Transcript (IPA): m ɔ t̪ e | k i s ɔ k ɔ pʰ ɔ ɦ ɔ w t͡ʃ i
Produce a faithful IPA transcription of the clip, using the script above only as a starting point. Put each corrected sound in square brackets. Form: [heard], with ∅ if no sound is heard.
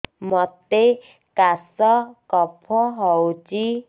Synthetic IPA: m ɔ t̪ e | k [a] s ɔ k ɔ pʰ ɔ ɦ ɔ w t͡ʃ i